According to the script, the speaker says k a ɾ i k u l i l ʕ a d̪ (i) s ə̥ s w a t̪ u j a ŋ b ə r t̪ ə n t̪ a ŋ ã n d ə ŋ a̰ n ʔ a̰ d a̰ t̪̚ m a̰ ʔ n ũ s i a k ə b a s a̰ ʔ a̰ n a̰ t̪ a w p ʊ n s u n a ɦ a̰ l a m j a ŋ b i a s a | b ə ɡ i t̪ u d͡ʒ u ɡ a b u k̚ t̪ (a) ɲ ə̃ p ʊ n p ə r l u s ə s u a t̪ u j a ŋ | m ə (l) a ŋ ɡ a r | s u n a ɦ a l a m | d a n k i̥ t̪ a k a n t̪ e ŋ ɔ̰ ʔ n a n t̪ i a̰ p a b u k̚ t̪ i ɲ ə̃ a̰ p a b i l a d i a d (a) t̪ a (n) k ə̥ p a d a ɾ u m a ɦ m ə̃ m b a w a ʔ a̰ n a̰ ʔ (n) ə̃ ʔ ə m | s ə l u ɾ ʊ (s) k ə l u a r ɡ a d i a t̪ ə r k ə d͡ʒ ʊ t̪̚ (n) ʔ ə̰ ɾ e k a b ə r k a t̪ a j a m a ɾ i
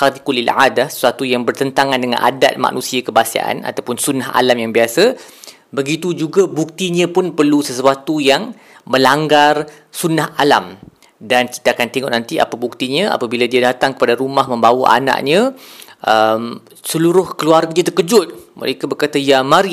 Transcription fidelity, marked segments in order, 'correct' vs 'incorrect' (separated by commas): incorrect, incorrect, correct, correct, incorrect, incorrect, incorrect, incorrect